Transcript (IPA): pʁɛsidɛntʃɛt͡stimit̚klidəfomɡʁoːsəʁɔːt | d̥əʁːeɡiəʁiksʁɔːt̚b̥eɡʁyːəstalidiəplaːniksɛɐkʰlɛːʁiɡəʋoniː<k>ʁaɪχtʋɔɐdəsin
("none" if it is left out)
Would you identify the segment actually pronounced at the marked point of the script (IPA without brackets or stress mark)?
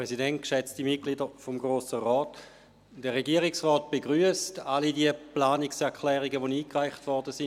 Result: k